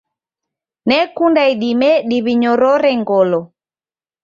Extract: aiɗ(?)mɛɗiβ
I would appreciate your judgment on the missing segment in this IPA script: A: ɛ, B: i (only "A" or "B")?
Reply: B